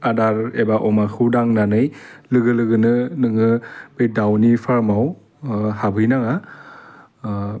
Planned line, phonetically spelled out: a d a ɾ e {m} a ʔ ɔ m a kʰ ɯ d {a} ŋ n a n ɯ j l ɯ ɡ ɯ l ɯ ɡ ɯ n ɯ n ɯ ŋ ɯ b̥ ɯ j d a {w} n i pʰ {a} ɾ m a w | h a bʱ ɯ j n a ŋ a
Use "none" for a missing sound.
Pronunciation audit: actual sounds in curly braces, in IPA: b, a, w, a

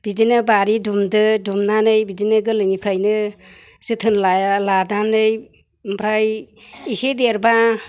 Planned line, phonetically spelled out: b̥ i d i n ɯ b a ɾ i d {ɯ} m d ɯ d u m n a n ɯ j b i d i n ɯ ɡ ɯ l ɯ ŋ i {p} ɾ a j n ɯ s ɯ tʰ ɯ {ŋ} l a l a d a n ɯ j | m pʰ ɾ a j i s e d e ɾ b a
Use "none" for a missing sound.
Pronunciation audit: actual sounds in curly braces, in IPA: u, pʰ, n

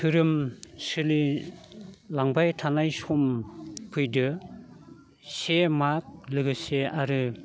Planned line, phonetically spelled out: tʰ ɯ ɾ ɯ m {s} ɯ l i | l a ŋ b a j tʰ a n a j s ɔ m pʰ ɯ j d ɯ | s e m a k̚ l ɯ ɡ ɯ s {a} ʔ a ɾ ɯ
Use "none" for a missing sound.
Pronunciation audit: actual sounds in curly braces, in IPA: s, e

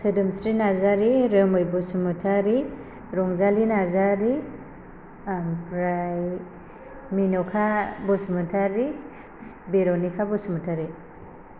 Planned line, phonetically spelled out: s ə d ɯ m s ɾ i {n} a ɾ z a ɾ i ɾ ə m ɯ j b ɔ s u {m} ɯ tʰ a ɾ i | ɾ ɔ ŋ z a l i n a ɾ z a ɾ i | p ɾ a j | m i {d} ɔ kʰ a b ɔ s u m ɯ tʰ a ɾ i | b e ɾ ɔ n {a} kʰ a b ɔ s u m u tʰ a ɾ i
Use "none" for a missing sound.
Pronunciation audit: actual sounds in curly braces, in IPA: n, m, n, i

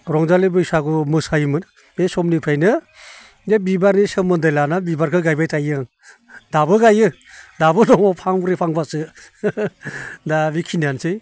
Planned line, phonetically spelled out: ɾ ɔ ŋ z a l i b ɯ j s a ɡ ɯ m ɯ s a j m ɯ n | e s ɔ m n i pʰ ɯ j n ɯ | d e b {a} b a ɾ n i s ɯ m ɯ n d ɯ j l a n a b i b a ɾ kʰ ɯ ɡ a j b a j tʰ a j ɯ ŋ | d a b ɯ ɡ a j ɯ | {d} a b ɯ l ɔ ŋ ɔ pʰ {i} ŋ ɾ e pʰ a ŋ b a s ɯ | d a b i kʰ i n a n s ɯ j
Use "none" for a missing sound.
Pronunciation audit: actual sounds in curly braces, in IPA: i, d, a

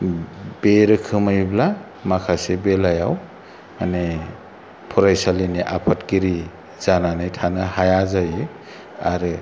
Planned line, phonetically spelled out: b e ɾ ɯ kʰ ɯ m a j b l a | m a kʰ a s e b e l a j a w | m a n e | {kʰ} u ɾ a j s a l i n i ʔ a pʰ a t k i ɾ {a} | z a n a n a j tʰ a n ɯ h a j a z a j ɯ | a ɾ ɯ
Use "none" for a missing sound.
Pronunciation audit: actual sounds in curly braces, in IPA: pʰ, i

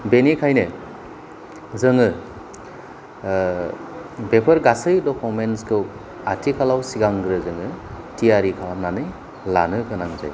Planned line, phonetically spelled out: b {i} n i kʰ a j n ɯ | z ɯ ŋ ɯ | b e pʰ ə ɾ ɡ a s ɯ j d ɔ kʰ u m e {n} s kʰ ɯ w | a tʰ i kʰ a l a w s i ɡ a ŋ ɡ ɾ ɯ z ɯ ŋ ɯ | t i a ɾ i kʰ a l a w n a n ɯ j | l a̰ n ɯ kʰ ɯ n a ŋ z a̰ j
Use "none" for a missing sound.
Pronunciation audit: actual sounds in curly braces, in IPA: e, n

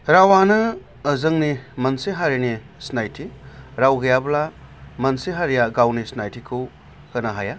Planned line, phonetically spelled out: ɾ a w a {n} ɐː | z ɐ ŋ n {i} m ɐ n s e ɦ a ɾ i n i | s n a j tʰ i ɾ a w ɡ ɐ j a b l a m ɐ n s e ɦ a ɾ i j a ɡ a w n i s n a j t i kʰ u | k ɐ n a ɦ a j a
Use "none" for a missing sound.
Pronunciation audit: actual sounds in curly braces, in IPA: n, i

